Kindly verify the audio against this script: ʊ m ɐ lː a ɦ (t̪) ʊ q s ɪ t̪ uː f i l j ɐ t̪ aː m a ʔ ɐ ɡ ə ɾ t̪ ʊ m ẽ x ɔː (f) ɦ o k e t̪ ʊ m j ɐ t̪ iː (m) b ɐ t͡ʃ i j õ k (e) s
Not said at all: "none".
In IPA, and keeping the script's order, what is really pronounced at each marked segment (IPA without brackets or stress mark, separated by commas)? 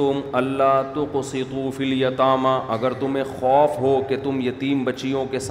t̪, f, m, e